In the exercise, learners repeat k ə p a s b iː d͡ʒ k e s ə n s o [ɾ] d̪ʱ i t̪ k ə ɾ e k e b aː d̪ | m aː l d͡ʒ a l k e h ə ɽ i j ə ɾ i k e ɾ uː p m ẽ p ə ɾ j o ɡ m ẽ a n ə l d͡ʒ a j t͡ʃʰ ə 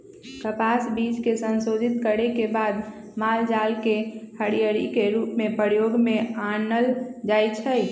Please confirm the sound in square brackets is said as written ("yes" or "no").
no